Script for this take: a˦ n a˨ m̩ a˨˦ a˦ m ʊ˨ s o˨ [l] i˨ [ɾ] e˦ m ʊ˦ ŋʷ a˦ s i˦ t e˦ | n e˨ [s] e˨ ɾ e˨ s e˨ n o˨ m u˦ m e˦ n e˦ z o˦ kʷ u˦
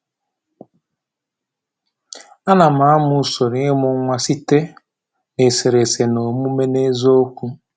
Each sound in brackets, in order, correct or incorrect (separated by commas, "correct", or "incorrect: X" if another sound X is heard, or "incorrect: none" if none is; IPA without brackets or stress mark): incorrect: ɾ, incorrect: none, correct